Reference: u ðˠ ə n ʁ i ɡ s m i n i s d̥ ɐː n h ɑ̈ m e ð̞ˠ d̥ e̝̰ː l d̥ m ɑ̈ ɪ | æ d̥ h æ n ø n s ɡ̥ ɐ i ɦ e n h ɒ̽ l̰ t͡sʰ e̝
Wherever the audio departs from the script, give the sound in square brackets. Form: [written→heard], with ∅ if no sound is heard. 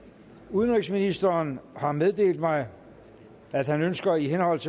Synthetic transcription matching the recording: u ðˠ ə n ʁ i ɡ s m i n i s d̥ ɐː n h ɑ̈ m e ð̞ˠ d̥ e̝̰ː l d̥ m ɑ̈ ɪ | æ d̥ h æ n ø n s ɡ̥ ɐ i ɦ e n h ɒ̽ l̰ t͡sʰ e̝